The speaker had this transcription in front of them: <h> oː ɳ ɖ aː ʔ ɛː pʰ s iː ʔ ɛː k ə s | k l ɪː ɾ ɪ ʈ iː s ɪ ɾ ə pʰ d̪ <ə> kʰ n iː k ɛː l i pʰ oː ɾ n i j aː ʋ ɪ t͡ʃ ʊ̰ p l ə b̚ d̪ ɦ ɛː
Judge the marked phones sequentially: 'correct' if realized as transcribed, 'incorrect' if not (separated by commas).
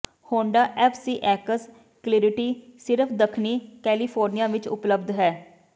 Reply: correct, correct